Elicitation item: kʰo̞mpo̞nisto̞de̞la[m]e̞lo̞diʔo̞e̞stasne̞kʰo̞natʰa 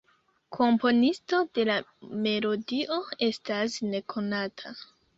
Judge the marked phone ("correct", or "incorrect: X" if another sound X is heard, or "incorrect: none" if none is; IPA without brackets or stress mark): correct